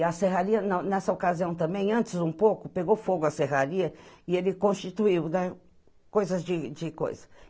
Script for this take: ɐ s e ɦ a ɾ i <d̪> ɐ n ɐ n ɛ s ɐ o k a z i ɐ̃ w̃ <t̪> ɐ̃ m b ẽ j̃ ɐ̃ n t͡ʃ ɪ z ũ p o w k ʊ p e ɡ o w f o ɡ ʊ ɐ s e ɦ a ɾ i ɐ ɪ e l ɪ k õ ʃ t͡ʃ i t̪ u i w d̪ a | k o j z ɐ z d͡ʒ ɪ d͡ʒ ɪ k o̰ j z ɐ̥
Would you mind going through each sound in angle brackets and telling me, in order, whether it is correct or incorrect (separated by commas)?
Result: incorrect, correct